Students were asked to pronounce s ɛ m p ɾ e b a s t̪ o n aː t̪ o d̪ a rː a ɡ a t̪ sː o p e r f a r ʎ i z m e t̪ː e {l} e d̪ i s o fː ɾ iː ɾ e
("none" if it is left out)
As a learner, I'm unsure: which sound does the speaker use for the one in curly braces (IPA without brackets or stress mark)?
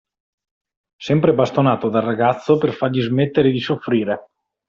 ɾ